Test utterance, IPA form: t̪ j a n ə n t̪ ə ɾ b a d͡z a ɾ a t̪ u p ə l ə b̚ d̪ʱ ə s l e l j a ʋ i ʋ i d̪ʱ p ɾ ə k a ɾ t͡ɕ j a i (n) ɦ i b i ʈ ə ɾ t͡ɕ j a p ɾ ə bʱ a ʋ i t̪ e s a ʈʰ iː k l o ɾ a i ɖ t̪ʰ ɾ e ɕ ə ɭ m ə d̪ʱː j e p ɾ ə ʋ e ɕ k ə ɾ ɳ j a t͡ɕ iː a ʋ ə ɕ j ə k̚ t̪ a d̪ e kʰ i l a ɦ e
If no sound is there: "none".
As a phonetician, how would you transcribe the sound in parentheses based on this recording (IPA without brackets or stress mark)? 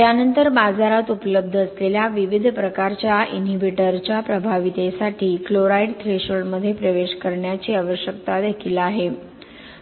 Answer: n